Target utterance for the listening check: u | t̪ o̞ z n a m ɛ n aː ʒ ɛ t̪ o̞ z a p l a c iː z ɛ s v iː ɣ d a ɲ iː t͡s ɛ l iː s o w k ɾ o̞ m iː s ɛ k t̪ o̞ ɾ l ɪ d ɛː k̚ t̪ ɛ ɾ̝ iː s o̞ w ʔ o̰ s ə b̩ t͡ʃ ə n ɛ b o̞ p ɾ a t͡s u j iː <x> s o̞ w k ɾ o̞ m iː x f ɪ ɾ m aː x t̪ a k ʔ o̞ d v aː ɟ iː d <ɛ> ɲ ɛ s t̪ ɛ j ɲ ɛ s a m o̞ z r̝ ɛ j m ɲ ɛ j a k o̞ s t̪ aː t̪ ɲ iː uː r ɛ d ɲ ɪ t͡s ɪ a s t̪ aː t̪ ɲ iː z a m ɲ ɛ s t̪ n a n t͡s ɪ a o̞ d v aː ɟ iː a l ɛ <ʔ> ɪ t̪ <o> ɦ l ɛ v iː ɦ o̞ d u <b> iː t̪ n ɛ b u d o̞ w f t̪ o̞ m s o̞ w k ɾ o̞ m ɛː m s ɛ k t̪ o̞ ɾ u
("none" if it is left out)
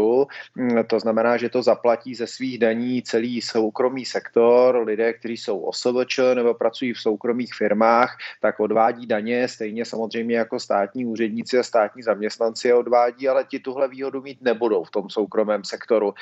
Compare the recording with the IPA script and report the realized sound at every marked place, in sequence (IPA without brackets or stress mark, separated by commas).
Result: f, a, c, u, m